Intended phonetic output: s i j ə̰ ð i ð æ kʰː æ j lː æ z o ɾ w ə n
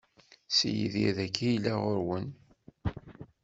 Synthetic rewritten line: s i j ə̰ ð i ð æ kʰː i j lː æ ʁ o ɾ w ə n